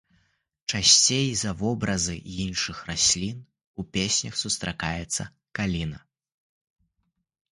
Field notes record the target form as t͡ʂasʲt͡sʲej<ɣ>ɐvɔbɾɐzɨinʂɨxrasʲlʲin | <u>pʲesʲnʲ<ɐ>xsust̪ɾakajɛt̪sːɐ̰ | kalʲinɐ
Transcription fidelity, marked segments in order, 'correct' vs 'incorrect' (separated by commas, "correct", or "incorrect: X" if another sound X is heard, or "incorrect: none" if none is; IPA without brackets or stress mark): incorrect: z, correct, correct